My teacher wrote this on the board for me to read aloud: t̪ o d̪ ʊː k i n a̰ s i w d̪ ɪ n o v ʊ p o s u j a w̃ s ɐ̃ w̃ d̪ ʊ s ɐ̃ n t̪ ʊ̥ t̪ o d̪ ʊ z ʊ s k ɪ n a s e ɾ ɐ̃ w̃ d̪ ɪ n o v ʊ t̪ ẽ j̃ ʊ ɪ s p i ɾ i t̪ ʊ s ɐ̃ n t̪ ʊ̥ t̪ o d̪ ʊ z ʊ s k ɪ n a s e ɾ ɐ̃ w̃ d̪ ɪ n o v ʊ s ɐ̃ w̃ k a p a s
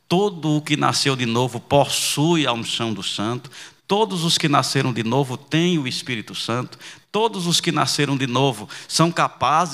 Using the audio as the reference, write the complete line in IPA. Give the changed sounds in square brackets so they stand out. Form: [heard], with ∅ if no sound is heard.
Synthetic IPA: t̪ o d̪ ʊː k [ɪ] n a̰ s [e] w d̪ ɪ n o v ʊ p o s u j a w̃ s ɐ̃ w̃ d̪ ʊ s ɐ̃ n t̪ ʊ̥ t̪ o d̪ ʊ z ʊ s k ɪ n a s e ɾ ɐ̃ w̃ d̪ ɪ n o v ʊ t̪ ẽ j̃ ʊ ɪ s p i ɾ i t̪ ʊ s ɐ̃ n t̪ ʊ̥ t̪ o d̪ ʊ z ʊ s k ɪ n a s e ɾ ɐ̃ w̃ d̪ ɪ n o v ʊ s ɐ̃ w̃ k a p a [z]